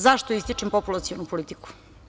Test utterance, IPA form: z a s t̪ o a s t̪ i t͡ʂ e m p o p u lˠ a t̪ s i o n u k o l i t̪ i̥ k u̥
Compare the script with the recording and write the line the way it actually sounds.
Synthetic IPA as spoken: z a ʃ t̪ o i s t̪ i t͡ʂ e m p o p u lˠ a t̪ s i o n u p o l i t̪ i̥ k u̥